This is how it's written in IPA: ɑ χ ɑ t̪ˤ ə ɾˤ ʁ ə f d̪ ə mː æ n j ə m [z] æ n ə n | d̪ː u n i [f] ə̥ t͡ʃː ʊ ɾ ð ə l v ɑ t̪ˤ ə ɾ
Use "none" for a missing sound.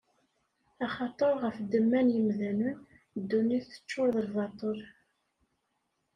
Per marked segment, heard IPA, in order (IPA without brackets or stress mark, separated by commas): ð, θ